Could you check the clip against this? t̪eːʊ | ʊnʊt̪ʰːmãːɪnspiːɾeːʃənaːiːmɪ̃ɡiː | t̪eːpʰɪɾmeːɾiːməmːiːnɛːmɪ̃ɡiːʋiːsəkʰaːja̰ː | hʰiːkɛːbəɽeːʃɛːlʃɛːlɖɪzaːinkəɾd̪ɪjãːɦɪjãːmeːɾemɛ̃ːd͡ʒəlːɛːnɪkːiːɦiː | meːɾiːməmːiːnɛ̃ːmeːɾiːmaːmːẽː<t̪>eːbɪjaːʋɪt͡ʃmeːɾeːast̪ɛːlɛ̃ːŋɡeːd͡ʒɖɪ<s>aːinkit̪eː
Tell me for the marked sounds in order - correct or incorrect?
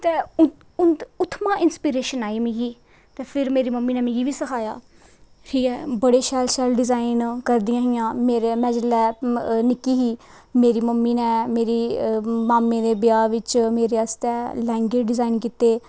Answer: incorrect, incorrect

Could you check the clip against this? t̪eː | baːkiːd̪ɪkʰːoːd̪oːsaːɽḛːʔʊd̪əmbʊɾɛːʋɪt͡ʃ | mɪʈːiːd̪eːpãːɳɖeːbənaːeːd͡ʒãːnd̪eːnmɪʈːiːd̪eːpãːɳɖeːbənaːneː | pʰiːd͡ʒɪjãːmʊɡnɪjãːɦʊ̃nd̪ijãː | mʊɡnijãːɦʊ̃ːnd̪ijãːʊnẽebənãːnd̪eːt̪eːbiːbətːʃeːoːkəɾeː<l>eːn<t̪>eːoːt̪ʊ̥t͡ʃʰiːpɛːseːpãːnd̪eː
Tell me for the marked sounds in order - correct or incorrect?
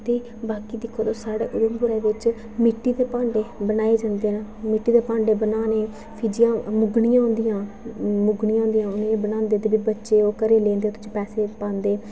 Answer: correct, incorrect

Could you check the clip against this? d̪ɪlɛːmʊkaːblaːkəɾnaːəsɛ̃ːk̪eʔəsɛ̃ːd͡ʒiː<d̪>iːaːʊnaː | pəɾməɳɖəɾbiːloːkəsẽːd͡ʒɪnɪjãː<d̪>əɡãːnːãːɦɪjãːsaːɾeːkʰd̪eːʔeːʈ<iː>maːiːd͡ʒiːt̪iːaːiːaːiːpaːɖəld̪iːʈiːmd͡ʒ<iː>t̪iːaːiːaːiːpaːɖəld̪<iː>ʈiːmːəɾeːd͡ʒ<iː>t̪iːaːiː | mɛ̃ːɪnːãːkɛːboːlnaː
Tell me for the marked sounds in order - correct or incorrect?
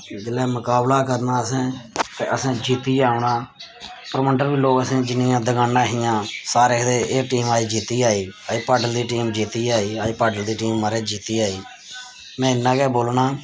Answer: incorrect, correct, correct, correct, correct, correct

